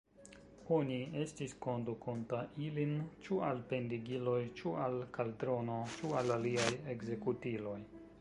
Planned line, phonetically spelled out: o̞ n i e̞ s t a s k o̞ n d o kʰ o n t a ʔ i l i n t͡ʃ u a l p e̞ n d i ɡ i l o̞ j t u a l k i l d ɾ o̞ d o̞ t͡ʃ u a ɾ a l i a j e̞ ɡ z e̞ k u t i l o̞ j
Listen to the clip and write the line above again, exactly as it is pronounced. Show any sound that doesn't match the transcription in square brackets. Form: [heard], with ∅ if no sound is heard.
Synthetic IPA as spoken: o̞ n i e̞ s t [i] s k o̞ n d [u] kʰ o n t a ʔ i l i n t͡ʃ u a l p e̞ n d i ɡ i l o̞ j [t͡ʃ] u a l k [a] l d ɾ o̞ [n] o̞ t͡ʃ u a [l] a l i a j e̞ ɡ z e̞ k u t i l o̞ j